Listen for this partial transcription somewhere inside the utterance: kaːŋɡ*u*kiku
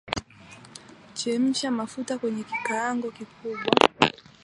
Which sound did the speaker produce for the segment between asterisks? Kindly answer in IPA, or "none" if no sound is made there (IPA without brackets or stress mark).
ɔ